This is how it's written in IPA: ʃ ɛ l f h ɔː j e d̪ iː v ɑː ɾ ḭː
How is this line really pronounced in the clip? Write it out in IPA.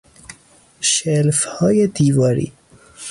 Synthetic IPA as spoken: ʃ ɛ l f h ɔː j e d̪ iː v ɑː ɾ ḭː